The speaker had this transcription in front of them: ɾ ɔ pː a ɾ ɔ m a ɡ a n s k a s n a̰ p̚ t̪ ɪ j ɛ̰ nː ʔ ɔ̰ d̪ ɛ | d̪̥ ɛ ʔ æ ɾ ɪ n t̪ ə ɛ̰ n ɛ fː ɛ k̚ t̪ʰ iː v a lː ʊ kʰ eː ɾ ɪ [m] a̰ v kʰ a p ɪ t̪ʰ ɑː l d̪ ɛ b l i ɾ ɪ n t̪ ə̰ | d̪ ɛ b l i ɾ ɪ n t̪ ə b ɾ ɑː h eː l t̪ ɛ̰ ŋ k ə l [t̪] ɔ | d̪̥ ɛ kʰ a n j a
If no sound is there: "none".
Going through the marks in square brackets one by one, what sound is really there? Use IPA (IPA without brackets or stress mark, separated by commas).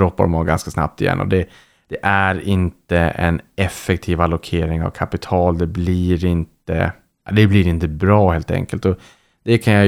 ŋ, t̪